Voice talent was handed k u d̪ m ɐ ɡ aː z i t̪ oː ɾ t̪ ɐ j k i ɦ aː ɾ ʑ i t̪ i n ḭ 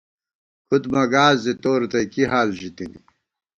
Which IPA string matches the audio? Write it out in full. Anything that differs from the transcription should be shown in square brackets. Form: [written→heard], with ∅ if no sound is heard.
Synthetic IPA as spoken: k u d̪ m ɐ ɡ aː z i t̪ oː ɾ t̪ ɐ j k i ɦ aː [ɾ→l] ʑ i t̪ i n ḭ